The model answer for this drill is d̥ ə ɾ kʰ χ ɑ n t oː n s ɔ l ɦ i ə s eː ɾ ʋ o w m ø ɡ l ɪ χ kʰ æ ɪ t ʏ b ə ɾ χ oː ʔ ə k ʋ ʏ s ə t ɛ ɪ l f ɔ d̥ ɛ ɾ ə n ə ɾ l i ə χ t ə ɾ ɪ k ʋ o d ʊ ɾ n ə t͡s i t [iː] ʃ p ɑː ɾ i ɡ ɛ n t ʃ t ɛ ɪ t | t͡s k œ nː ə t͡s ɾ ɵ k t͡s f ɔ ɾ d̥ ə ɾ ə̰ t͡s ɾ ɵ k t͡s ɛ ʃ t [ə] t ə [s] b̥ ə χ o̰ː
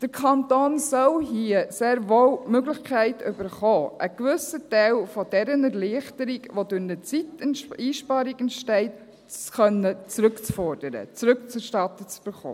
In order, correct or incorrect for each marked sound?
correct, incorrect, incorrect

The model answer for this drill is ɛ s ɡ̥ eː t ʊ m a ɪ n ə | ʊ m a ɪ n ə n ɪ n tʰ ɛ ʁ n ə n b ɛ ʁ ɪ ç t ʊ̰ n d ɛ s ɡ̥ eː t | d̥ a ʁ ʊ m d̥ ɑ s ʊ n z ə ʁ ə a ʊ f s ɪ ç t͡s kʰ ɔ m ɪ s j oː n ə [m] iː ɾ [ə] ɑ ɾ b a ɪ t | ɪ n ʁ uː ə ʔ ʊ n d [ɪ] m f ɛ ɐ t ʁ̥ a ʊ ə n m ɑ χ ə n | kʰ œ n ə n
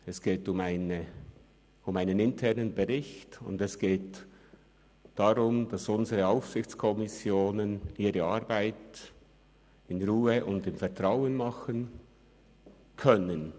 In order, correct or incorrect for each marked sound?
incorrect, correct, correct

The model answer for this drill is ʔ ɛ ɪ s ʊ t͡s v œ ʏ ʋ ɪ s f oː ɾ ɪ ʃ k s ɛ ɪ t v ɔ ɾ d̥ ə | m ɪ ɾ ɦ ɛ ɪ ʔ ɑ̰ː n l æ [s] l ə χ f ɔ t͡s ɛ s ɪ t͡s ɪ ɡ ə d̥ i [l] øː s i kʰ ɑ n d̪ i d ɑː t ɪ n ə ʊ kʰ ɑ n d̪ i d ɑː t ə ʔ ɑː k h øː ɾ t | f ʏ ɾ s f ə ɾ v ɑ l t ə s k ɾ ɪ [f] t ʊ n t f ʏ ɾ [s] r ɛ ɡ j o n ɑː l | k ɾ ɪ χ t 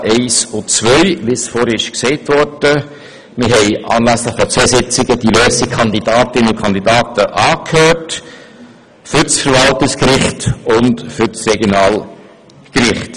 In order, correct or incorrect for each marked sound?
correct, correct, incorrect, correct

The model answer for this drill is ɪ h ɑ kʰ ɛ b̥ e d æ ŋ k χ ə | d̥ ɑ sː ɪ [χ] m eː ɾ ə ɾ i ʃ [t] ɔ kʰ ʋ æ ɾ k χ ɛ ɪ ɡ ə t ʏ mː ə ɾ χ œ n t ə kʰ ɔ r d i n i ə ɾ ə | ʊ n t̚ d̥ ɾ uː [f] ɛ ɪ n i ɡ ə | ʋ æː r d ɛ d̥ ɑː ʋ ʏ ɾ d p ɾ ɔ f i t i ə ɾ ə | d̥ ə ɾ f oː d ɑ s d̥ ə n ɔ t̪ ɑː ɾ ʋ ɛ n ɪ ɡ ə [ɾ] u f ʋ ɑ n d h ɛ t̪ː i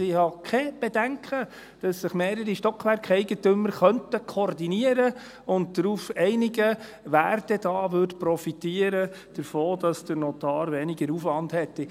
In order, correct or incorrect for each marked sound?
correct, correct, correct, correct

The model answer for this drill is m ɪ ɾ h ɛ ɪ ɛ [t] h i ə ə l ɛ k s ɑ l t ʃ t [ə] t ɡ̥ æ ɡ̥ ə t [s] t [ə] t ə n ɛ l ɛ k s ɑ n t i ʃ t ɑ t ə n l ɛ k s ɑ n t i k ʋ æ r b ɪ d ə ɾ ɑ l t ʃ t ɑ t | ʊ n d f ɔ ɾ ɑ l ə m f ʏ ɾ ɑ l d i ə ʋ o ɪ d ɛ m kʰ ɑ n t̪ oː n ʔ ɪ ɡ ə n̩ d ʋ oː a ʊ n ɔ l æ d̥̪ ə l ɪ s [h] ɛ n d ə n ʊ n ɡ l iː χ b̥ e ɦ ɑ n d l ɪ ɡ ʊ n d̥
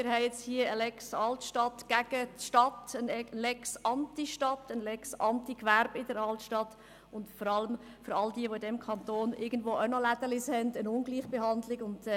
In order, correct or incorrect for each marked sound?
incorrect, incorrect, incorrect, incorrect, correct

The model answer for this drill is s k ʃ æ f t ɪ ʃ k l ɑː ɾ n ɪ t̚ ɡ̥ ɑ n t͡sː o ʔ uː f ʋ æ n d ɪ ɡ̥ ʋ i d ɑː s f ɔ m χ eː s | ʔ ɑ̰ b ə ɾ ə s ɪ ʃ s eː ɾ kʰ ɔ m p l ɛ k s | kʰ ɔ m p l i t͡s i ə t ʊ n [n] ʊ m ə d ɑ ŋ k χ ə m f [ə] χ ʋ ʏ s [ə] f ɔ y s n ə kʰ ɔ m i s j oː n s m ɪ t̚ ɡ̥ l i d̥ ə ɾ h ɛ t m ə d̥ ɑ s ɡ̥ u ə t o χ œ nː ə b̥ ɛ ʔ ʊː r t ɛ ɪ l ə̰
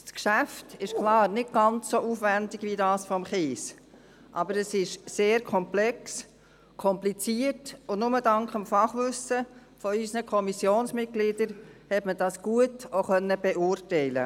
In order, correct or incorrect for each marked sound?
correct, incorrect, correct

